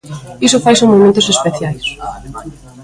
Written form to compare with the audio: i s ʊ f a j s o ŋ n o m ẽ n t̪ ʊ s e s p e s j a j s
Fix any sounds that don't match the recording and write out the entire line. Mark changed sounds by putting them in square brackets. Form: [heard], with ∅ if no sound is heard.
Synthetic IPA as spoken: i s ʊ f a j s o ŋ [m] o m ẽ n t̪ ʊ s e s p e [θ] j a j s